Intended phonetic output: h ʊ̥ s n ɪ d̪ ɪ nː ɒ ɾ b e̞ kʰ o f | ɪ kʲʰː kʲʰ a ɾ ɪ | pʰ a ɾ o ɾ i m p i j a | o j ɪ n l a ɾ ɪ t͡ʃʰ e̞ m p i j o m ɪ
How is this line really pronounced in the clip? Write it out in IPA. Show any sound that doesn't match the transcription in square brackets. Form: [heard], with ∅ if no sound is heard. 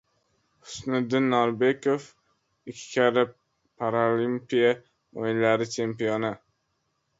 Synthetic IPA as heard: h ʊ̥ s n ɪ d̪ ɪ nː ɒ ɾ b e̞ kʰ o f | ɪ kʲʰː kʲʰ a ɾ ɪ | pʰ a ɾ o [l] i m p i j a | o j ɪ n l a ɾ ɪ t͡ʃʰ e̞ m p i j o [n] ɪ